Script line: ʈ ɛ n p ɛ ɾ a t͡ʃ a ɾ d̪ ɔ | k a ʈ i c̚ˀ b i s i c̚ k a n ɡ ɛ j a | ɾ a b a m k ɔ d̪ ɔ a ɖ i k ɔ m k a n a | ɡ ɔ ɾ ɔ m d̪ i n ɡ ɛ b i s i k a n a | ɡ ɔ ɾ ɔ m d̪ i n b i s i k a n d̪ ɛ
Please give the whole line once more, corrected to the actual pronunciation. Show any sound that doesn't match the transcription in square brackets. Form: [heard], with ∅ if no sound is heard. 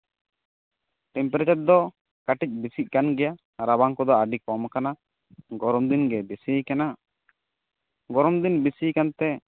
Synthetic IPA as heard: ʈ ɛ [m] p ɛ ɾ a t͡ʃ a ɾ d̪ ɔ | k a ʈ i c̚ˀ b i s i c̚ k a n ɡ ɛ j a | ɾ a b a [ŋ] k ɔ d̪ ɔ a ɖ i k ɔ m k a n a | ɡ ɔ ɾ ɔ m d̪ i n ɡ ɛ b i s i k a n a | ɡ ɔ ɾ ɔ m d̪ i n b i s i k a n [t̪] ɛ